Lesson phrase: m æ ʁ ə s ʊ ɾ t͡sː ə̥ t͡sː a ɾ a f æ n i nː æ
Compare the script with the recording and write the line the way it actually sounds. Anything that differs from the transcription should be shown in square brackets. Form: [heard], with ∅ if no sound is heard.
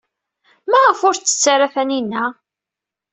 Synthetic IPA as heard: m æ ʁ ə [f] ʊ ɾ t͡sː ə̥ t͡sː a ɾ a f æ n i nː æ